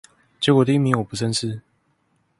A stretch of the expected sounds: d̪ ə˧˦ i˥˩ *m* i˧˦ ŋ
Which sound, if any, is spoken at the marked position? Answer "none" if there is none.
m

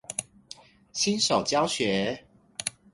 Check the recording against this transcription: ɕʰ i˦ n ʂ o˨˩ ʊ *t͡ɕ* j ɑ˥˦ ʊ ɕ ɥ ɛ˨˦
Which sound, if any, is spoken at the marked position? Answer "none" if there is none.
t͡ɕ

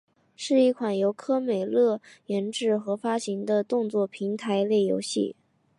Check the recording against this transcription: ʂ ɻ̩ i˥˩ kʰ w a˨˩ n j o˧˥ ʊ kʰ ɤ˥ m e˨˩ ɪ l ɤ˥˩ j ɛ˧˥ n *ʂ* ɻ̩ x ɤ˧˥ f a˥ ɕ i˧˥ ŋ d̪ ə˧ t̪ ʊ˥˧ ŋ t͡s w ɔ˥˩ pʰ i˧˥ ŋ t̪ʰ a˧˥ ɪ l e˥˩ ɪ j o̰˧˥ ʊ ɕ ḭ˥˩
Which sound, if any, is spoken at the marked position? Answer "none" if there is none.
ʈ͡ʂ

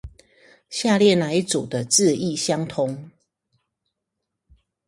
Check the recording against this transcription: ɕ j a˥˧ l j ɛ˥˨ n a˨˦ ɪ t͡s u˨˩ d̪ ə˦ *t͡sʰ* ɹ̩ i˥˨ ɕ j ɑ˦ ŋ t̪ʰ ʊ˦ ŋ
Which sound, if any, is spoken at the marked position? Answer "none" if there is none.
t͡s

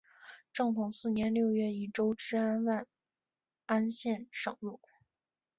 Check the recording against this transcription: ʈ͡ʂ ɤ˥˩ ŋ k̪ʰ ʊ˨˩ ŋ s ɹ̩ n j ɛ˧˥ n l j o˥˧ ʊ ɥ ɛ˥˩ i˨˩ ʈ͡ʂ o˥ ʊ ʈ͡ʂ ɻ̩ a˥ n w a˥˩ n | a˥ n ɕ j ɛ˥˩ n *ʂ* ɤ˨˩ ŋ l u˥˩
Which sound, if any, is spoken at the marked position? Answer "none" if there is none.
ʂ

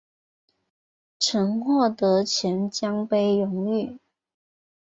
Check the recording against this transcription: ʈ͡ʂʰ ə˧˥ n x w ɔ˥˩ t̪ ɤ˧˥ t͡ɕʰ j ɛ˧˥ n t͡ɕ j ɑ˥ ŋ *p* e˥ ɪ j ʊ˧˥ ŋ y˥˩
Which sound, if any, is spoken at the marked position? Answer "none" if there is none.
p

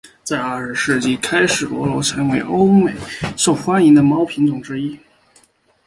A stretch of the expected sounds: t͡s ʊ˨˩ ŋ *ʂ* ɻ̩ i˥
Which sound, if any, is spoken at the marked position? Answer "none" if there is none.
ʈ͡ʂ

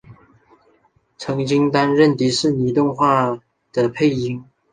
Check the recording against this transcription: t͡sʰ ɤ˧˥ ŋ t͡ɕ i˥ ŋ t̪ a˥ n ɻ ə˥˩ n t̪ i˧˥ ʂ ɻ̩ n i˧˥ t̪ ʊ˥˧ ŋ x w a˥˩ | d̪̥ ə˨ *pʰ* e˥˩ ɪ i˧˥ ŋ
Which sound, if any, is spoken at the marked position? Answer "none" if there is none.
pʰ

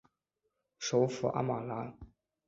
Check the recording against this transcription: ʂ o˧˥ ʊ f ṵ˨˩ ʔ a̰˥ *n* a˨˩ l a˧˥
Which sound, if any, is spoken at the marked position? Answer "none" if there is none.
m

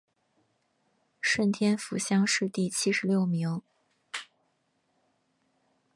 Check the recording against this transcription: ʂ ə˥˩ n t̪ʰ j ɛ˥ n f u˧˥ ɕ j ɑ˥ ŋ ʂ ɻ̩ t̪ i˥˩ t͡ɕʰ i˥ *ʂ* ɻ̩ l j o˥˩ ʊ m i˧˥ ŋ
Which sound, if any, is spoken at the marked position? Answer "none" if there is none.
ʂ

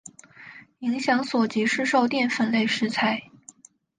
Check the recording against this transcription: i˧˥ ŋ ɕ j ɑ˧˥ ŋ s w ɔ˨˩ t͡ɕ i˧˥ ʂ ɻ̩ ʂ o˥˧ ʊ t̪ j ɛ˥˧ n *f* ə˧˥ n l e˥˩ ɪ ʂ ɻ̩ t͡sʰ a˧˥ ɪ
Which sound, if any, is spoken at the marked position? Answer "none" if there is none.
f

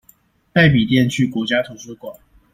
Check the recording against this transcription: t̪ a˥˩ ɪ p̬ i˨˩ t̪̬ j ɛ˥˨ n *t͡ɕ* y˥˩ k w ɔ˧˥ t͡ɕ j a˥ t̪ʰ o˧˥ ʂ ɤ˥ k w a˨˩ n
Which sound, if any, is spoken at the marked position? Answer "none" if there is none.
t͡ɕʰ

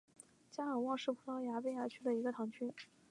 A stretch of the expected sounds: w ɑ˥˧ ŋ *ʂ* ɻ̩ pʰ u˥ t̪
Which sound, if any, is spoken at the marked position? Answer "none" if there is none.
ʂ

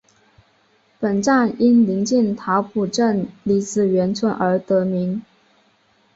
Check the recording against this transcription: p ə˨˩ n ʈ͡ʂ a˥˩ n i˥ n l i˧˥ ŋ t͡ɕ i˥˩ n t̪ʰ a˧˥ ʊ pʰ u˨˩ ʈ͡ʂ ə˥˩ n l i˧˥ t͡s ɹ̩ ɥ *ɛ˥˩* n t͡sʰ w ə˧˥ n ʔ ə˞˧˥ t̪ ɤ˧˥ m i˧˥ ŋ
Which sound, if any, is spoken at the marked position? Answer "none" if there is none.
ɛ˧˥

